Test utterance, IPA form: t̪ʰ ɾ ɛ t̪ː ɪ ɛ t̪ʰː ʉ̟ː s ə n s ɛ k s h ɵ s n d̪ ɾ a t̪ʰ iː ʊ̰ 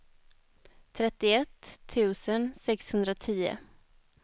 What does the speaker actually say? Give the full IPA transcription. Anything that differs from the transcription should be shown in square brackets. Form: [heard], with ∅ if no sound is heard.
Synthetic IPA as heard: t̪ʰ ɾ ɛ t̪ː ɪ ɛ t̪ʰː ʉ̟ː s ə n s ɛ k s h ɵ [∅] n d̪ ɾ a t̪ʰ iː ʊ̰

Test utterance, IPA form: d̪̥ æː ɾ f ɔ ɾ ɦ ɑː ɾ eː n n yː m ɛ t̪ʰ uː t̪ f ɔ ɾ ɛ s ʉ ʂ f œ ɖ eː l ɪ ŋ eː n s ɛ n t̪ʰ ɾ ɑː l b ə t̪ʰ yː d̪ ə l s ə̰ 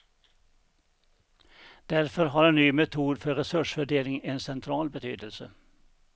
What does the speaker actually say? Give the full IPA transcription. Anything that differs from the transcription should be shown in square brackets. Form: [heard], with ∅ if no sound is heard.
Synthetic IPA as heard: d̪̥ [æ] ɾ f ɔ ɾ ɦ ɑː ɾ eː n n yː m ɛ t̪ʰ uː [d̪] f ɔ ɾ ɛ s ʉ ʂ f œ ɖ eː l ɪ ŋ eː n s ɛ n t̪ʰ ɾ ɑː l b ə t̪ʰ yː d̪ ə l s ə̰

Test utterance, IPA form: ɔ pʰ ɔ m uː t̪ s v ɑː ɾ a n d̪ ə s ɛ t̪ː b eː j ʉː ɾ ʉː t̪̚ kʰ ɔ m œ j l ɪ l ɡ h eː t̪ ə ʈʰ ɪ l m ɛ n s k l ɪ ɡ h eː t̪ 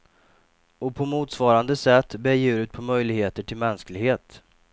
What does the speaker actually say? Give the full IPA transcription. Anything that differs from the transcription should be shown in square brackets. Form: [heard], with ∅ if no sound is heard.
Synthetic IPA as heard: ɔ pʰ ɔ m uː t̪ s v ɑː ɾ a n d̪ ə s ɛ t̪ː b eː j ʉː ɾ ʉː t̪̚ [pʰ] ɔ m œ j l ɪ [∅] ɡ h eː t̪ ə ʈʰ ɪ l m ɛ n s k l ɪ ɡ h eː t̪

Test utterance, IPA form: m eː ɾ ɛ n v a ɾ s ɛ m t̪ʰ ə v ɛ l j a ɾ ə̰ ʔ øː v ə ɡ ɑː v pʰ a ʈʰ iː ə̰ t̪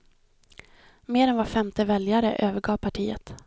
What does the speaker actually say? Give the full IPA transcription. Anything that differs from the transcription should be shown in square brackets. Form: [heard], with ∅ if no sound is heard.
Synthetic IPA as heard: m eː ɾ ɛ n v a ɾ [f] ɛ m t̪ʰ ə v ɛ l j a ɾ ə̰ ʔ øː v ə ɡ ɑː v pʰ a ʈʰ iː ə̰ t̪

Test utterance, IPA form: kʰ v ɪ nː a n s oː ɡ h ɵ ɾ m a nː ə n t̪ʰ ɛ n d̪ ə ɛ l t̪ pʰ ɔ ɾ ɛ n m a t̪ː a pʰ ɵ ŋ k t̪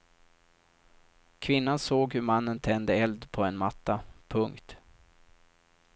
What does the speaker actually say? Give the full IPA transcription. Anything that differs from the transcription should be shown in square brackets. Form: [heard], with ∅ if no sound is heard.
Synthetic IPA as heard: kʰ v ɪ nː a n s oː ɡ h ɵ ɾ m a nː ə n t̪ʰ ɛ n d̪ ə ɛ l [d̪] pʰ ɔ [∅] ɛ n m a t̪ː a pʰ ɵ ŋ k t̪

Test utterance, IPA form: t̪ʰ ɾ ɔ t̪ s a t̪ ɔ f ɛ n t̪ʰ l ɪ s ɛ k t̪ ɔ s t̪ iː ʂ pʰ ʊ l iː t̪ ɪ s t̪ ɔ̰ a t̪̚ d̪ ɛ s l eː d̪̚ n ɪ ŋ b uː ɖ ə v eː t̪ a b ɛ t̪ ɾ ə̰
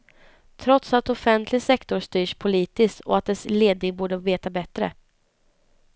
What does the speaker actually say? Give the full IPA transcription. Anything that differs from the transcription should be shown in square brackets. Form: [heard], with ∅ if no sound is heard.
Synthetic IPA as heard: t̪ʰ ɾ ɔ t̪ s a t̪ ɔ f ɛ n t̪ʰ l ɪ s ɛ k t̪ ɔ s t̪ [yː] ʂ pʰ ʊ l iː t̪ ɪ s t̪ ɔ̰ a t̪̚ d̪ ɛ s l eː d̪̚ n ɪ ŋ b uː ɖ ə v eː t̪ a b ɛ t̪ ɾ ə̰

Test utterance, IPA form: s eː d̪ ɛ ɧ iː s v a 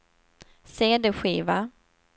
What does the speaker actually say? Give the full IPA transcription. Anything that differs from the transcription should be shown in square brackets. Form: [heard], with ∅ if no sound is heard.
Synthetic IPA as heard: s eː d̪ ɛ ɧ iː [∅] v a

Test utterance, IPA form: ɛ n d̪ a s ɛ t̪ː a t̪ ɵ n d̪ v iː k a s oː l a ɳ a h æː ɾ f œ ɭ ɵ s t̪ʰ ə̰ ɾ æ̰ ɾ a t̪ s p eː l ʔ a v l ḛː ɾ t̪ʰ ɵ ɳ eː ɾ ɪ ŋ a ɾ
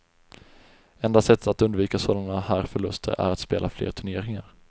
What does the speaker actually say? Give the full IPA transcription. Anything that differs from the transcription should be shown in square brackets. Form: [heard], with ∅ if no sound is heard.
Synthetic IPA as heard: ɛ n d̪ a s ɛ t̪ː a t̪ ɵ n d̪ v iː k a s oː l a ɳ a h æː ɾ f œ ɭ ɵ s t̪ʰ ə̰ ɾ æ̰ ɾ a t̪ s p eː l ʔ a [f] l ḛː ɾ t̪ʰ ɵ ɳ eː ɾ ɪ ŋ a ɾ

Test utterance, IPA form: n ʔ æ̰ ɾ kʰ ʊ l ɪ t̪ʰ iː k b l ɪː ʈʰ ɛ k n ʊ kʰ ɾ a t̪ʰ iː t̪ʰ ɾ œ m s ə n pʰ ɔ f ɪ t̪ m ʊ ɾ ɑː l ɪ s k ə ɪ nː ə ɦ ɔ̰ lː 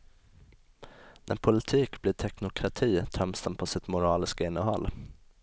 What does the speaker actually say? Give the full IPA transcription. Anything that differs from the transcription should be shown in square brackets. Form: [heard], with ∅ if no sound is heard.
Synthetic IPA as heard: n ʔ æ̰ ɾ [pʰ] ʊ l ɪ t̪ʰ iː k b l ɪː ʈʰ ɛ k n ʊ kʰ ɾ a t̪ʰ iː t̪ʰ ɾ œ m s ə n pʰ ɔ [s] ɪ t̪ m ʊ ɾ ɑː l ɪ s k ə ɪ nː ə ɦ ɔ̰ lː

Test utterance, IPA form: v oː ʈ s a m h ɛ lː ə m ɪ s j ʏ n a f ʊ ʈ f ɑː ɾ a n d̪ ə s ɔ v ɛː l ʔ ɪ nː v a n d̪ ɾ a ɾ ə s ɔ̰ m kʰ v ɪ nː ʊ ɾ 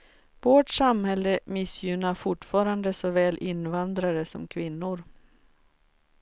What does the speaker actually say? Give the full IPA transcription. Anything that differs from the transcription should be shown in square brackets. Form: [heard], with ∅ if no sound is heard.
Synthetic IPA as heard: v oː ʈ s a m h ɛ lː ə m ɪ s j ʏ n a f ʊ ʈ f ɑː ɾ a n d̪ ə s ɔ v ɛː l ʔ ɪ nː v a n d̪ ɾ a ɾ ə s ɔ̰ m kʰ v ɪ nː ʊ ɾ

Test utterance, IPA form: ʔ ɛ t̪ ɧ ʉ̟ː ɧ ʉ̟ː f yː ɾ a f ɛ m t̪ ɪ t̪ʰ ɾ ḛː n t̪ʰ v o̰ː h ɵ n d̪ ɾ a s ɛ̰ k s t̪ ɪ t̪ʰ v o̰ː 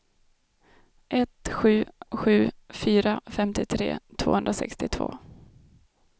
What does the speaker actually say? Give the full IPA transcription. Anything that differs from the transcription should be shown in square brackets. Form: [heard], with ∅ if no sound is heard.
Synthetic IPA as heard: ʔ ɛ t̪ ɧ ʉ̟ː ɧ ʉ̟ː f yː ɾ a f ɛ m t̪ ɪ t̪ʰ ɾ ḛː [∅] t̪ʰ v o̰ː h ɵ n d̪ ɾ a s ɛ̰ k s t̪ ɪ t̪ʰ v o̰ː

